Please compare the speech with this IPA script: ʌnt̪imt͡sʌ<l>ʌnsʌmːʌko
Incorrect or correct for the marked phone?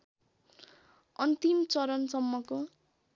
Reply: incorrect: ɾ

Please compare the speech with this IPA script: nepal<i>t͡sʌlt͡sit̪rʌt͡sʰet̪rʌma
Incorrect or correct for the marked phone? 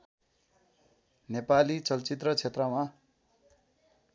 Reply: correct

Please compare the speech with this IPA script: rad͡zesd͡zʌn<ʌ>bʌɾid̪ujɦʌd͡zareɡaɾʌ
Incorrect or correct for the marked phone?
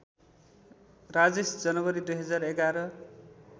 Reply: correct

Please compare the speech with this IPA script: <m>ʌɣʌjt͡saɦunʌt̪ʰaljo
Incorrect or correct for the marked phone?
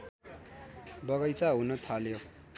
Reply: incorrect: b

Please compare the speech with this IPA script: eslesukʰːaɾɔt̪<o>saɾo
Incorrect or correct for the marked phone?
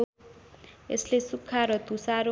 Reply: incorrect: u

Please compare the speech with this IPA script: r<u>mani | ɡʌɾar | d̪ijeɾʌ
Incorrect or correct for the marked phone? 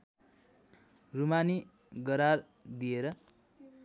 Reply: correct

